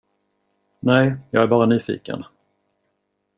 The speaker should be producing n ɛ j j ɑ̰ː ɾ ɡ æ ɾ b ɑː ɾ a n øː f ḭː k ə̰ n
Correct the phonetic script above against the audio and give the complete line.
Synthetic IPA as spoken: n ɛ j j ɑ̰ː ɡ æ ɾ b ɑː ɾ a n yː f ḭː k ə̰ n